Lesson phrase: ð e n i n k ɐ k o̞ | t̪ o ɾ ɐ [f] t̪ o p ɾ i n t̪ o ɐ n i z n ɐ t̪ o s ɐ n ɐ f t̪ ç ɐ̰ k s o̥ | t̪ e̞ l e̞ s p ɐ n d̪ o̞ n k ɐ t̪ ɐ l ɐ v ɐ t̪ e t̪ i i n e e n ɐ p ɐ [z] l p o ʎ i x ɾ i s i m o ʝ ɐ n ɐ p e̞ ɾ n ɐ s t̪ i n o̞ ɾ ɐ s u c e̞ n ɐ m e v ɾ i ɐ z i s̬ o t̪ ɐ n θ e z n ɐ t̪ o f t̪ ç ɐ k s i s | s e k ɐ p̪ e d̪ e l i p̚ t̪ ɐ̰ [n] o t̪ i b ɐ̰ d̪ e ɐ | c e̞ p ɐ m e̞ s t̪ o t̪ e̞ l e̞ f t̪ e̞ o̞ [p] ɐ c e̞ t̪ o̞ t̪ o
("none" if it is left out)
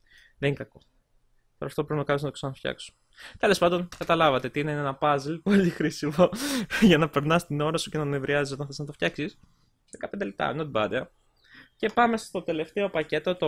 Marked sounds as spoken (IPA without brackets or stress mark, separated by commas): f, z, n, p